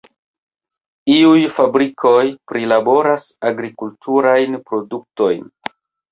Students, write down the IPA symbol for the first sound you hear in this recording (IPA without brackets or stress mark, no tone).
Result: i